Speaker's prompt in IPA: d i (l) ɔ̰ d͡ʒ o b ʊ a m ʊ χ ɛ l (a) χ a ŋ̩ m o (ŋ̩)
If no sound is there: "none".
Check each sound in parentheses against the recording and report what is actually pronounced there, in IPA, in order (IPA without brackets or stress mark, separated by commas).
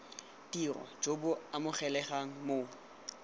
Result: r, ɛ, none